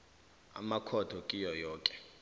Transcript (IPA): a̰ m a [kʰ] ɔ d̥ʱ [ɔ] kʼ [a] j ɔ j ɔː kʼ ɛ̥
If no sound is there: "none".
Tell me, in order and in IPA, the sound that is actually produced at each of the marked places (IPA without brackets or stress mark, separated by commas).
kʰ, ɔ, i